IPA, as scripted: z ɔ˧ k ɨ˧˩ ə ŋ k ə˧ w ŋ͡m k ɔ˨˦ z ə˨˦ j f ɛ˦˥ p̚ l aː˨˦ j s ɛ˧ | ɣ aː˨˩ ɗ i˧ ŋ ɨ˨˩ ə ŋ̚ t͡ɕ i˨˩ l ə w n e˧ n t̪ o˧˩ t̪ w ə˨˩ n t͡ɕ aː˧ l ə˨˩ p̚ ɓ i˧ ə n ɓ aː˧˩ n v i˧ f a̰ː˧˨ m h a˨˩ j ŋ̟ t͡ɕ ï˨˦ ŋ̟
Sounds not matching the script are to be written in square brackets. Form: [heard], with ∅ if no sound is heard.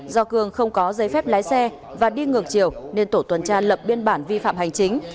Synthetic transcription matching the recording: z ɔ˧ k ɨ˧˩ ə ŋ [x] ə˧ w ŋ͡m k ɔ˨˦ z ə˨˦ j f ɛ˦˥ p̚ l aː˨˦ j s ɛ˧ | [v] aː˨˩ ɗ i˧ ŋ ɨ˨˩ ə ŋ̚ t͡ɕ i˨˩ [∅] ə w n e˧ n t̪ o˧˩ t̪ w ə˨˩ n t͡ɕ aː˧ l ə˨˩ p̚ ɓ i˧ ə n ɓ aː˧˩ n v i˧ f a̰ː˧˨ m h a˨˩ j ŋ̟ t͡ɕ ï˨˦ ŋ̟